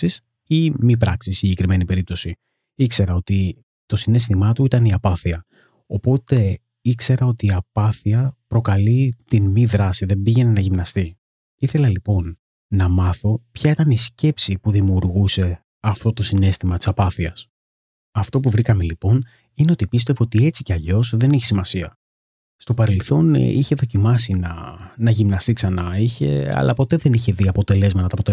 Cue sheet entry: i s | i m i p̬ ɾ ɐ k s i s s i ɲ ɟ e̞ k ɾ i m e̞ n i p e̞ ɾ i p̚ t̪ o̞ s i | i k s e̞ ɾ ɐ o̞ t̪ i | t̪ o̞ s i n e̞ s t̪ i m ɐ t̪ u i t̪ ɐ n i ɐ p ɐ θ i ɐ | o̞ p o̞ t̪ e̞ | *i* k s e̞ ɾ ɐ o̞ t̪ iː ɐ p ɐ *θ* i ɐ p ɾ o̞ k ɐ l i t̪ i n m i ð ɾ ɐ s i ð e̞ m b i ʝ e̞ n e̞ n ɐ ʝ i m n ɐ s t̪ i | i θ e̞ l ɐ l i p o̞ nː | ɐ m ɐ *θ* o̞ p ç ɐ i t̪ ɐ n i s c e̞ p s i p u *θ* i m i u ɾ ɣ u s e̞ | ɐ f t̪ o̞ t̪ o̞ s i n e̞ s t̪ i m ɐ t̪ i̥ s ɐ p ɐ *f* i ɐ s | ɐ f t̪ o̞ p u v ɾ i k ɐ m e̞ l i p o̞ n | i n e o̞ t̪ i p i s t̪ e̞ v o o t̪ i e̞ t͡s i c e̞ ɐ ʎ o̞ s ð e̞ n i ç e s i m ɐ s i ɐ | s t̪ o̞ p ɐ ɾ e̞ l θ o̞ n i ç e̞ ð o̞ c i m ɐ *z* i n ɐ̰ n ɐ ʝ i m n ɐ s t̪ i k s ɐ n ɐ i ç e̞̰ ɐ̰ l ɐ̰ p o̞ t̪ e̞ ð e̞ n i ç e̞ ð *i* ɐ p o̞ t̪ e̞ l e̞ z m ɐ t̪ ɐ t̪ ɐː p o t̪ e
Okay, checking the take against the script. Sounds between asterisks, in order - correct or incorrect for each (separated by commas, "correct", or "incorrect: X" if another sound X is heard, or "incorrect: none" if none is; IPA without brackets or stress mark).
correct, correct, correct, incorrect: ð, incorrect: θ, incorrect: s, correct